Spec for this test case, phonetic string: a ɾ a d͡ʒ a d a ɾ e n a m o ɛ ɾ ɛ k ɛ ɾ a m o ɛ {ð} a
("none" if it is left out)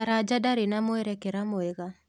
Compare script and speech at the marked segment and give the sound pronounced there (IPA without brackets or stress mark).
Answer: ɣ